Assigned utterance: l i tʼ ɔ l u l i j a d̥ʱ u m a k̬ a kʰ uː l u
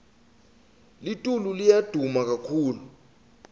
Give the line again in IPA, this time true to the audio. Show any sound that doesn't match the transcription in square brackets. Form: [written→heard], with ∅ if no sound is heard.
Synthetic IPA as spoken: l i tʼ [ɔ→u] l u l i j a d̥ʱ u m a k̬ a kʰ uː l u

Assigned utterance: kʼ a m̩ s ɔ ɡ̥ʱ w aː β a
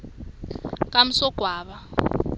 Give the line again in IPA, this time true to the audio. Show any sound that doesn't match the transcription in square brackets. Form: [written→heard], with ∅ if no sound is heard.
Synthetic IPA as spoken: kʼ a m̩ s ɔ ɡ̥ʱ w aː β a

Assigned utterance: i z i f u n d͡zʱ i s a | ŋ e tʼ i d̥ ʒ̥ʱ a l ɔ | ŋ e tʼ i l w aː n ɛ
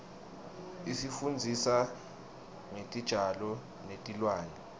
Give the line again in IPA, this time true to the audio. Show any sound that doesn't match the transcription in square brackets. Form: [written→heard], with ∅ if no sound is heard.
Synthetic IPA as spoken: i [z→s] i f u n d͡zʱ i s a | ŋ e tʼ i d̥ ʒ̥ʱ a l ɔ | [ŋ→n] e tʼ i l w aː n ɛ

